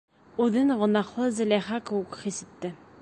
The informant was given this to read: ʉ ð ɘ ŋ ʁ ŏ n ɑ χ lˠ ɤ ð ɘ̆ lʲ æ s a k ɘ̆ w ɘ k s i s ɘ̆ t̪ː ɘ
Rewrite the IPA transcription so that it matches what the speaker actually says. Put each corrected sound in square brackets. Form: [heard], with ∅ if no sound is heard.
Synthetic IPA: ʉ ð ɘ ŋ ʁ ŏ n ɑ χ lˠ ɤ [z] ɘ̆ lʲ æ [χ] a k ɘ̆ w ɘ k [χ] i s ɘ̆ t̪ː ɘ

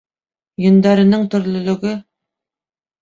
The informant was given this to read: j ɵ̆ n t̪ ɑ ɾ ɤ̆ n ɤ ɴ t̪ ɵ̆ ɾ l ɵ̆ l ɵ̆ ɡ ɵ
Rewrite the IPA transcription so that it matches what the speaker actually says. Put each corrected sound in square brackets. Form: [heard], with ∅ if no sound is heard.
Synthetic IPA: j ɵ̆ n [d̪] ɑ ɾ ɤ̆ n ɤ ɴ t̪ ɵ̆ ɾ l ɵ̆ l ɵ̆ ɡ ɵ

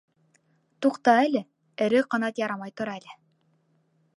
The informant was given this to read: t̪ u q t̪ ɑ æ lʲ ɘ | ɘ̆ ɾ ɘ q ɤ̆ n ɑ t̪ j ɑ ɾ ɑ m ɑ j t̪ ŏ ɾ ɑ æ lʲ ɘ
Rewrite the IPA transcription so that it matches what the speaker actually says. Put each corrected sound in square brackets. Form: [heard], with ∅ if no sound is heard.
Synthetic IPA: t̪ u q t̪ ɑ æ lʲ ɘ | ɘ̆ ɾ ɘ q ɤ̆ n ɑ t̪ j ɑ ɾ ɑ m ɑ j t̪ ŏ ɾ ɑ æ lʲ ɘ

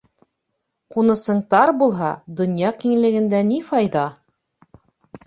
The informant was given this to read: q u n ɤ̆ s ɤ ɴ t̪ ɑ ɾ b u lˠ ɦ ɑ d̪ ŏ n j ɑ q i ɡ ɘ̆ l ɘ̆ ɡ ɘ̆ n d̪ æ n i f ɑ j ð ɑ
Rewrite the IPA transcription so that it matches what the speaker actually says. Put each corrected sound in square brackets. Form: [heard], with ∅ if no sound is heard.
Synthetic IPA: q u n ɤ̆ s ɤ ɴ t̪ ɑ ɾ b u lˠ ɦ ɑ d̪ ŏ n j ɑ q i [ŋ] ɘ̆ l ɘ̆ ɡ ɘ̆ n d̪ æ n i f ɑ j ð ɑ

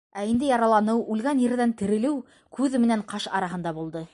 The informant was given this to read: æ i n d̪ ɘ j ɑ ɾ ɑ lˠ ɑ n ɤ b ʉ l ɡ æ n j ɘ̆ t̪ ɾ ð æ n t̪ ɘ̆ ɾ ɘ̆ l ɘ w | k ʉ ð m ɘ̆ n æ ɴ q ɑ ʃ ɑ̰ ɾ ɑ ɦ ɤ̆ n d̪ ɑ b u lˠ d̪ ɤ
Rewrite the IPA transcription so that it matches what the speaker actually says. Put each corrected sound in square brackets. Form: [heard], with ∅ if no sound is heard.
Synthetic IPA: æ i n d̪ ɘ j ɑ ɾ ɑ lˠ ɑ n ɤ [w] ʉ l ɡ æ n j ɘ̆ [∅] ɾ ð æ n t̪ ɘ̆ ɾ ɘ̆ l ɘ w | k ʉ ð m ɘ̆ n æ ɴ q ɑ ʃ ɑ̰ ɾ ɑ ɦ ɤ̆ n d̪ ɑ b u lˠ d̪ ɤ

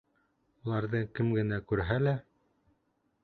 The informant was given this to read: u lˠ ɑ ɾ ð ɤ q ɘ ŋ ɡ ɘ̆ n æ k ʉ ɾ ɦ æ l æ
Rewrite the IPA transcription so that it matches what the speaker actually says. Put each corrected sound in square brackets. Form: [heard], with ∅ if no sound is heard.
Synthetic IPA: u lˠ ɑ ɾ ð ɤ [k] ɘ [m] ɡ ɘ̆ n æ k ʉ ɾ ɦ æ l æ

